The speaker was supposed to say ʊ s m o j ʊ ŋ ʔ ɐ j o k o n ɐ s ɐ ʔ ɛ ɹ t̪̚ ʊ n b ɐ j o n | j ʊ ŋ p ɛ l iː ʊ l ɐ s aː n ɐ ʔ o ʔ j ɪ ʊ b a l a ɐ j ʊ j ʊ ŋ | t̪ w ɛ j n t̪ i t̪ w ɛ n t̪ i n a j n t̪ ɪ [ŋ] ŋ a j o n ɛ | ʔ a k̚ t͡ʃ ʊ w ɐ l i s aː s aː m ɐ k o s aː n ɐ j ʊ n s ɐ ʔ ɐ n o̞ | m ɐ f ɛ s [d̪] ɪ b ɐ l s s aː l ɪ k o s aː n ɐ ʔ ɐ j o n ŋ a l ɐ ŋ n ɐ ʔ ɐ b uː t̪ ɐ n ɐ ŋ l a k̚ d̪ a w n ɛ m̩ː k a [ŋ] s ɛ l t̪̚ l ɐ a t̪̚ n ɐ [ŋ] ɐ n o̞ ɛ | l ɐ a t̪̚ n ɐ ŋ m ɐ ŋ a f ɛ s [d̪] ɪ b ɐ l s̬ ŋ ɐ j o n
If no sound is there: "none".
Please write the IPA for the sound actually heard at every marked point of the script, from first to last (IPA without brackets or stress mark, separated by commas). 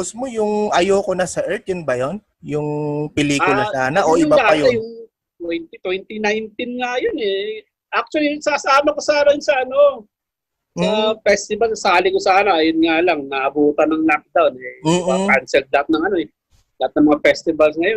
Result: n, t̪, n, ŋ, t̪